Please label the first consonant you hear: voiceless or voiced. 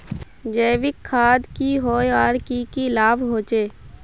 voiced